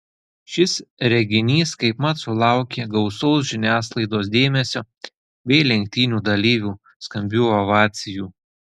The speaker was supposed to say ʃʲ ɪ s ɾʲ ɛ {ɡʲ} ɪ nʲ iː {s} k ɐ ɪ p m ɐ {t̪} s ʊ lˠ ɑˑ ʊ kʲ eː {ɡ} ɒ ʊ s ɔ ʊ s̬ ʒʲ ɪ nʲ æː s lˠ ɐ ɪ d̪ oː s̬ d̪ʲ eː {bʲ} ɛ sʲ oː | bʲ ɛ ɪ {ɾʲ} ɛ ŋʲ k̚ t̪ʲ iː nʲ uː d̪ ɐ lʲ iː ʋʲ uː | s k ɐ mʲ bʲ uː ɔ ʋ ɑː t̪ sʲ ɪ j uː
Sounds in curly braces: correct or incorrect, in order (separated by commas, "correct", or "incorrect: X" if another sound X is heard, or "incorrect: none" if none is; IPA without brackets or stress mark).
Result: correct, correct, correct, correct, incorrect: mʲ, incorrect: lʲ